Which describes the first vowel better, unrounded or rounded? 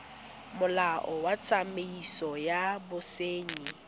rounded